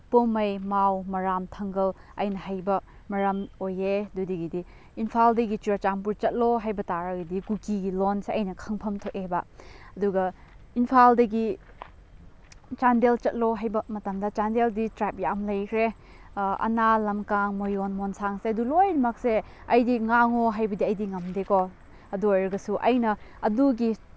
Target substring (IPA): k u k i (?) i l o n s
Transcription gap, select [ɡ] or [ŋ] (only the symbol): ɡ